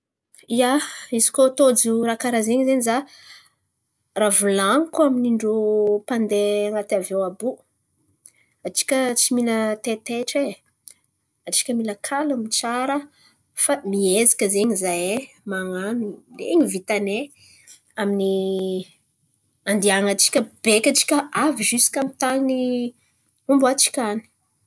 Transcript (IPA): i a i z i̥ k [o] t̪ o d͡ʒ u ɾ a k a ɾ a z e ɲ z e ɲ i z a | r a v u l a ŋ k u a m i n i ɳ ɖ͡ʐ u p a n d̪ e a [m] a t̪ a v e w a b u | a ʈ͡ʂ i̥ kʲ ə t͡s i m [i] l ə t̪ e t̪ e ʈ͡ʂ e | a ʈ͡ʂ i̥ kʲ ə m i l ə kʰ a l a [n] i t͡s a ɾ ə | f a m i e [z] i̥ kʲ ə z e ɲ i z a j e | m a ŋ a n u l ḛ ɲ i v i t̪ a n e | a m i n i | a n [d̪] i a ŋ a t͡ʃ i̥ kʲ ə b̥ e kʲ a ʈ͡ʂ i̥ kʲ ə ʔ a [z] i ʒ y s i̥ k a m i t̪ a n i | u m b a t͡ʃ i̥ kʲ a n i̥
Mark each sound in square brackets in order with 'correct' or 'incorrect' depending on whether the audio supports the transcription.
correct, incorrect, correct, incorrect, correct, correct, incorrect

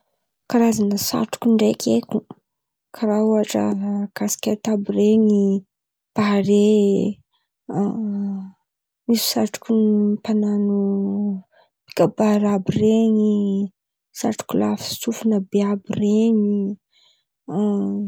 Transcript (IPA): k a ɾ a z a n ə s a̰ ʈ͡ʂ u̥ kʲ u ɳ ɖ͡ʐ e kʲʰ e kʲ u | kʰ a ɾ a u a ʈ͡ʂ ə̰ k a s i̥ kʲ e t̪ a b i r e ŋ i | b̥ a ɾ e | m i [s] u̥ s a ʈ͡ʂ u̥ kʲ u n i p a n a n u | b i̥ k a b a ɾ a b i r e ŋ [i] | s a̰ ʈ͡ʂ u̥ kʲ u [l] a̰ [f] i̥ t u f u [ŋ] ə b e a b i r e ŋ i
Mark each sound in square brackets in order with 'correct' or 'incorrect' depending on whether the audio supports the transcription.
correct, correct, correct, correct, incorrect

